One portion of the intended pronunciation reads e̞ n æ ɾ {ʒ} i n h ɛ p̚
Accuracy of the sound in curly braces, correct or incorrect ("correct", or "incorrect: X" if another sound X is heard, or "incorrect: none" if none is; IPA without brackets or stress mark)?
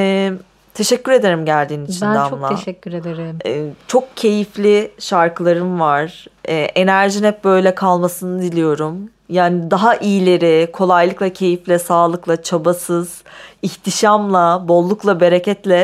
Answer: correct